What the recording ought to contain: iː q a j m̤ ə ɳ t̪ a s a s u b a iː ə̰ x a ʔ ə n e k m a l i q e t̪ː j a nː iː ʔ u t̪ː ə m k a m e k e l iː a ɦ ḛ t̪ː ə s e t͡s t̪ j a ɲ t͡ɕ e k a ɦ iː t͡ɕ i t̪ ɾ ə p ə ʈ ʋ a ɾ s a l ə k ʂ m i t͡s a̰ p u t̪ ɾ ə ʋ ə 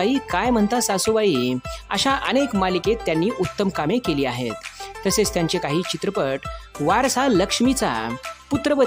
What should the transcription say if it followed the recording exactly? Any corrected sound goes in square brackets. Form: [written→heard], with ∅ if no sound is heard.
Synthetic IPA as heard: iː [q→k] a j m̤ ə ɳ t̪ a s a s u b a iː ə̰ [x→ɕ] a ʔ ə n e k m a l i [q→k] e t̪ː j a nː iː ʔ u t̪ː ə m k a m e k e l iː a ɦ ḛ t̪ː ə s e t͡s t̪ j a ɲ t͡ɕ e k a ɦ iː t͡ɕ i t̪ ɾ ə p ə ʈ ʋ a ɾ s a l ə k ʂ m i t͡s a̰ p u t̪ ɾ ə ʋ ə